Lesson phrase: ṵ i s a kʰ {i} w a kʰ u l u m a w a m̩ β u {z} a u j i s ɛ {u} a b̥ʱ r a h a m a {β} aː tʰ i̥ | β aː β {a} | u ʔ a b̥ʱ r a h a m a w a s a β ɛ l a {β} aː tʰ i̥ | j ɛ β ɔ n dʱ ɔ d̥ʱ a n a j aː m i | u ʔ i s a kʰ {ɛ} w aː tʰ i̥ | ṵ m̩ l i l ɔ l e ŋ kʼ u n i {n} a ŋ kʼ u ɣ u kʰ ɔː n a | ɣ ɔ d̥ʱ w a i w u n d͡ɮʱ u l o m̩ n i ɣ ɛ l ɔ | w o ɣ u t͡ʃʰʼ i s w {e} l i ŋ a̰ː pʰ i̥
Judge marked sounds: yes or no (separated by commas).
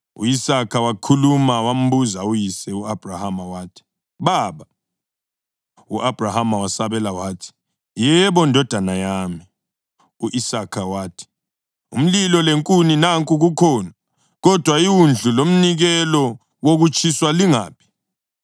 no, yes, yes, no, yes, no, no, yes, no